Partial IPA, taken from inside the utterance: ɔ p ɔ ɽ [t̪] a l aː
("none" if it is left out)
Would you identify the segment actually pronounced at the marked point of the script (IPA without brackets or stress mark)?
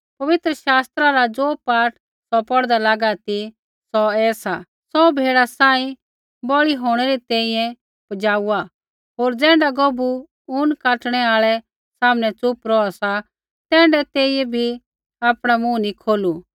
d̪